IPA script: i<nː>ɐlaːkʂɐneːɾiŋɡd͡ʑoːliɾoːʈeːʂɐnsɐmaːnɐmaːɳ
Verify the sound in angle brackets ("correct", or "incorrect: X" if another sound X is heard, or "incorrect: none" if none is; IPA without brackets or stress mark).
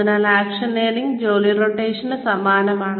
incorrect: n